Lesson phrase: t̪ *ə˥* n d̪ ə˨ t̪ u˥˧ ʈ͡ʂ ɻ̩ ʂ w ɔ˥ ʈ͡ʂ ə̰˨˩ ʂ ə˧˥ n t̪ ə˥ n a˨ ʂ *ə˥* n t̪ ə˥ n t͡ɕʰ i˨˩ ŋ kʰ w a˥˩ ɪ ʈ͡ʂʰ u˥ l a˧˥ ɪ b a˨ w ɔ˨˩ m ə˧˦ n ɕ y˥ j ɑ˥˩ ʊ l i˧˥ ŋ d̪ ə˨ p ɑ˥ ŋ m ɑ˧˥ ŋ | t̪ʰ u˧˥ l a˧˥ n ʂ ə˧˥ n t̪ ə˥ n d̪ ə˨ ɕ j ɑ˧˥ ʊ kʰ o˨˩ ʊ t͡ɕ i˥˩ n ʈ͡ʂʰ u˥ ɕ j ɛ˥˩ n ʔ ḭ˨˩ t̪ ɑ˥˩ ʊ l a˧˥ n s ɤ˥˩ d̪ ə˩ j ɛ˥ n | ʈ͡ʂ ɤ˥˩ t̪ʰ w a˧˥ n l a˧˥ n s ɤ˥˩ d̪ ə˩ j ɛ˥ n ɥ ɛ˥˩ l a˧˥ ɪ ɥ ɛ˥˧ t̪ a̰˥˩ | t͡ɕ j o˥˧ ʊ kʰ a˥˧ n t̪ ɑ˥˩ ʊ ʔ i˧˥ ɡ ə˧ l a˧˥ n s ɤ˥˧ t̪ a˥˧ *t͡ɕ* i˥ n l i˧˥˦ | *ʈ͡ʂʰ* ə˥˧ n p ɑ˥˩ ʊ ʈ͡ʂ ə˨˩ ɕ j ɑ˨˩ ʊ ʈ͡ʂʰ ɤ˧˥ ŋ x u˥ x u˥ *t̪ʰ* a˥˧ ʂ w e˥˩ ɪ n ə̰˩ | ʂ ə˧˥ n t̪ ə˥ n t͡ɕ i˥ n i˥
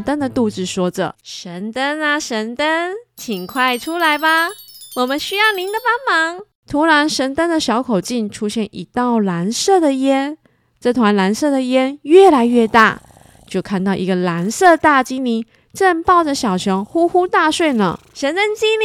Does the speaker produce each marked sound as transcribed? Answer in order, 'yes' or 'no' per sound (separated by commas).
yes, no, yes, no, no